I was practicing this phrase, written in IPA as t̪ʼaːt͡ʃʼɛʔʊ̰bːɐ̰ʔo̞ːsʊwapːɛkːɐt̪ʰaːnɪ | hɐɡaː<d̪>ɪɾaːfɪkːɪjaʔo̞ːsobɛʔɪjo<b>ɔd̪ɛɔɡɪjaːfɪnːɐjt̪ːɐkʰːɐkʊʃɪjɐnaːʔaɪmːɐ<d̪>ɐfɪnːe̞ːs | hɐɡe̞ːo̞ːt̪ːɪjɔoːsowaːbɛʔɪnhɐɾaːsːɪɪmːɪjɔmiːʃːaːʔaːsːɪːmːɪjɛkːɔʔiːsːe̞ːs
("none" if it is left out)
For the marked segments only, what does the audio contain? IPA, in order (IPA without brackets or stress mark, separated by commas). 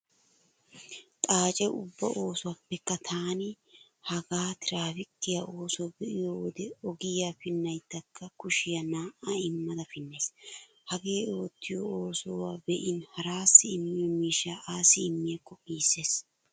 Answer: t̪, w, d̪